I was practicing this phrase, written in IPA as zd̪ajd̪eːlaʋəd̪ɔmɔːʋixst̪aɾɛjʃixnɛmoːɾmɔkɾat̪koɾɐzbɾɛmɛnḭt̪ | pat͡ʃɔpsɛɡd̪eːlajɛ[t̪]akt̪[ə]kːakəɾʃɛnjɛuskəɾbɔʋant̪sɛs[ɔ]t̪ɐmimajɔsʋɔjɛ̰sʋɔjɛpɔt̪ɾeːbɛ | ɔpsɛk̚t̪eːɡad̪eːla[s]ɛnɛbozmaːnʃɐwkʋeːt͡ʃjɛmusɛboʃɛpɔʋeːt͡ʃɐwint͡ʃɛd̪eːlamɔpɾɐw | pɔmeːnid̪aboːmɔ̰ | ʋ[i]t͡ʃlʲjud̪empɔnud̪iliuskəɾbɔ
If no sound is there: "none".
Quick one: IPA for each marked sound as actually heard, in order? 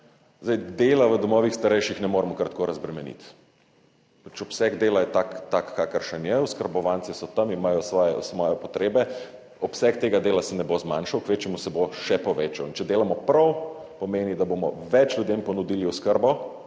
t̪, a, ɔ, s, ɛ

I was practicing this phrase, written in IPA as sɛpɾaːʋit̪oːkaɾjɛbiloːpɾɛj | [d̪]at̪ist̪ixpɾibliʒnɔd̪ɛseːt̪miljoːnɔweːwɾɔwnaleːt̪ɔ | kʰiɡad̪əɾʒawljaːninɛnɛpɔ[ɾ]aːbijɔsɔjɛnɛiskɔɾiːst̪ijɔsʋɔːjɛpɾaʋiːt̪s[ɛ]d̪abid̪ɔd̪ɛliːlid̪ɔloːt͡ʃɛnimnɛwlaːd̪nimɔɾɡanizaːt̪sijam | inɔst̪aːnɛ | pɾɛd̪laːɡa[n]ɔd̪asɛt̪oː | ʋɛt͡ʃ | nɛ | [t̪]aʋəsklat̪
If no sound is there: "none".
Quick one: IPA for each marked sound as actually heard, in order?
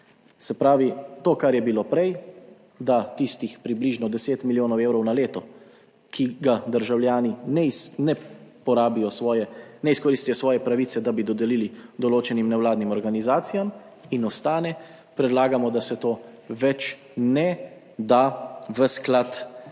d̪, ɾ, ɛ, m, d̪

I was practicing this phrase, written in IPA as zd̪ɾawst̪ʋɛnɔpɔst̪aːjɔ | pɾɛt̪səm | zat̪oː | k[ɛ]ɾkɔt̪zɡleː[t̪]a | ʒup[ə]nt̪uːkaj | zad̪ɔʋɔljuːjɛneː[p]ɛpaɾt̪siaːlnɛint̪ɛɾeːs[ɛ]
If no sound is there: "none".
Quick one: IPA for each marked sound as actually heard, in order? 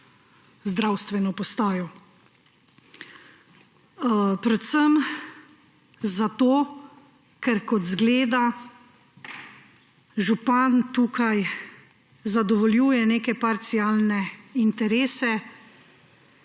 ɛ, d̪, a, k, ɛ

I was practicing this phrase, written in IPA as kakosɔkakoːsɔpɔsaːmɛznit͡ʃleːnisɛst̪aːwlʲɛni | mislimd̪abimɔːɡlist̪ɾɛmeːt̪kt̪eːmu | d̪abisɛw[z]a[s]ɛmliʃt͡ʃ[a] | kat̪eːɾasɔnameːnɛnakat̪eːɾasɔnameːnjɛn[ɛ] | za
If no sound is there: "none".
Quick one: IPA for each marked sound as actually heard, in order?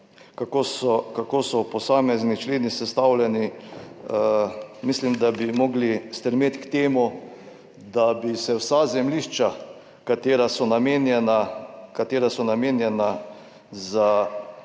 s, z, a, a

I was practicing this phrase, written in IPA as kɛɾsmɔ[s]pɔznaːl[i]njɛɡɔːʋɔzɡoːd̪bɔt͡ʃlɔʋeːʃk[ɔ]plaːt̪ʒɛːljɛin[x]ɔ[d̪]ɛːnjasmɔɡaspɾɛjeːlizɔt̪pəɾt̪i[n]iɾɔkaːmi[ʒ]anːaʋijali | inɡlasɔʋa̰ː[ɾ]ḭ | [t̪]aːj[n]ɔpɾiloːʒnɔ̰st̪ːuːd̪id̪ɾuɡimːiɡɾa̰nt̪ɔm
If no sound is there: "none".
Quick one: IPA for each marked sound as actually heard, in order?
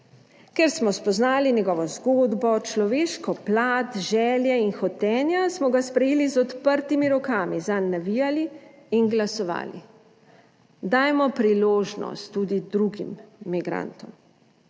s, i, ɔ, x, t̪, m, z, l, d̪, m

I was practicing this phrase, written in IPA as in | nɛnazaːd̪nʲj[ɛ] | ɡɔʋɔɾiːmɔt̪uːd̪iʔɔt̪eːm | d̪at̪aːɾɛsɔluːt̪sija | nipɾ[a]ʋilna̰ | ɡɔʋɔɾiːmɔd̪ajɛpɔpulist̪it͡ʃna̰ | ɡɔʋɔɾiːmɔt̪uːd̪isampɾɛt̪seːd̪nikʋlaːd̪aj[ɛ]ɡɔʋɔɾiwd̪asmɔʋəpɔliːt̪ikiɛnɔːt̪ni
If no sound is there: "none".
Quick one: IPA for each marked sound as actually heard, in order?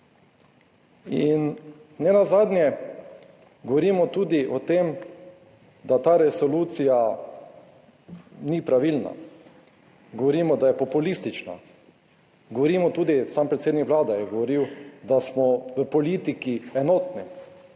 ɛ, a, ɛ

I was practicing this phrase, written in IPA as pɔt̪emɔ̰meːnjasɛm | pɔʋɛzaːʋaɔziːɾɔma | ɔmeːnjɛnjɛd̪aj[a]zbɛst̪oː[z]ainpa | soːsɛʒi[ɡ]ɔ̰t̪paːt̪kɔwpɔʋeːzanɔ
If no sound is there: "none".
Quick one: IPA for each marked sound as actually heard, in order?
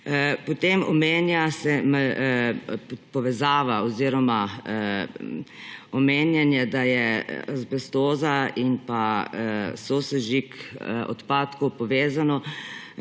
ɛ, z, k

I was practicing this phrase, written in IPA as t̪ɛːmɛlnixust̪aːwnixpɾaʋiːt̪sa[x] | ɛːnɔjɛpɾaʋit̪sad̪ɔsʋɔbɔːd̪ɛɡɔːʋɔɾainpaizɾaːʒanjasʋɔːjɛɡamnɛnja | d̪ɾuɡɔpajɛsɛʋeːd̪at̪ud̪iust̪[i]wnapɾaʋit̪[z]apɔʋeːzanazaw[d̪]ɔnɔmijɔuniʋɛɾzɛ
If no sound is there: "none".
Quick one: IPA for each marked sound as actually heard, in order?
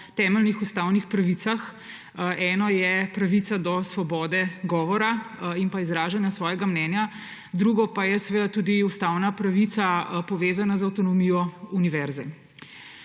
x, a, s, t̪

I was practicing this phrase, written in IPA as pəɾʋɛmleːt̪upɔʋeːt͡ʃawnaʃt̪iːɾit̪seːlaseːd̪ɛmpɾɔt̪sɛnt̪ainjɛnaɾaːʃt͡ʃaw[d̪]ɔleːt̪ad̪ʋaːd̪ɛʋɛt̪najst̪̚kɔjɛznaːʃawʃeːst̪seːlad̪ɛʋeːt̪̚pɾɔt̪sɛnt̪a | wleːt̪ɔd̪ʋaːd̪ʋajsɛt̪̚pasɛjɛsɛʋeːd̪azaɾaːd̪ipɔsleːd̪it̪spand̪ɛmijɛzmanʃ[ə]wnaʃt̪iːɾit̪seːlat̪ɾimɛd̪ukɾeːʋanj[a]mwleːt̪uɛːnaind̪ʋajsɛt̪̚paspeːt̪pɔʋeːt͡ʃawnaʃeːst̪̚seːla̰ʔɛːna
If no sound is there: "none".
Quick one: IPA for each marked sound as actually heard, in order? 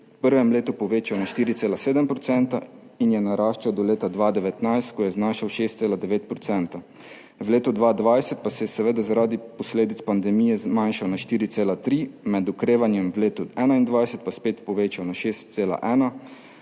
d̪, a, ɛ

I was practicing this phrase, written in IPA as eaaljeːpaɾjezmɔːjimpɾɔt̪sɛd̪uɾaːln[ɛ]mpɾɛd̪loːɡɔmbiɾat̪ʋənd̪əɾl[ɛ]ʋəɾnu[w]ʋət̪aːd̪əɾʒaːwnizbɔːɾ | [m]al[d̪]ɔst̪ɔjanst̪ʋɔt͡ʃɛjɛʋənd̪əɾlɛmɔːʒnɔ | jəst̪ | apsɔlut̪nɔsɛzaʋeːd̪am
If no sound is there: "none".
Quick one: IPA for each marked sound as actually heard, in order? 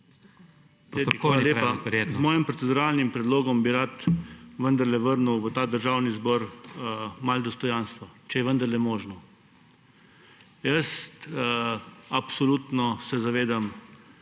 i, ɛ, w, m, d̪

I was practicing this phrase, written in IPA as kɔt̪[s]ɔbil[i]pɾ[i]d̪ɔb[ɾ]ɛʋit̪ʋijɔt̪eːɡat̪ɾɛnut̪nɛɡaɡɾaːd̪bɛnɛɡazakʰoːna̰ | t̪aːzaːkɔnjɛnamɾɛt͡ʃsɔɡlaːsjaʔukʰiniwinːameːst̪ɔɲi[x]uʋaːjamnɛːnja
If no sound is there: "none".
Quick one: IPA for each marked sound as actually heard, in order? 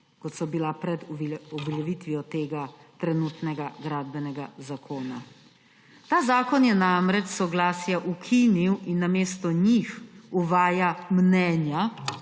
s, a, ɛ, l, x

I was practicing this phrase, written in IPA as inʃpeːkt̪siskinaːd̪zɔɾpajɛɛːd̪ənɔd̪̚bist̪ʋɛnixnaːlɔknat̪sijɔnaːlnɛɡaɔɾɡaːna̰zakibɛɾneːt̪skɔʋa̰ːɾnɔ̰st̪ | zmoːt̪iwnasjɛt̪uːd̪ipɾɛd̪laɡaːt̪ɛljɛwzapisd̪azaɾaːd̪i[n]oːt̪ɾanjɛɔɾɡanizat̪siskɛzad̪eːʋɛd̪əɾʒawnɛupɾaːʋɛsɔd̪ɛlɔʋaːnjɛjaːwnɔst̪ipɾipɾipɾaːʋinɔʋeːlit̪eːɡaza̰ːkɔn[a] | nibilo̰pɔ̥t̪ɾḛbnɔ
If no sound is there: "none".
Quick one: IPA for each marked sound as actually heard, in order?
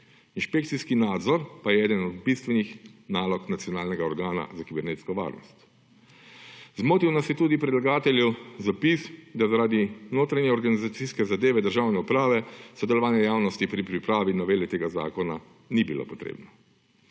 n, a

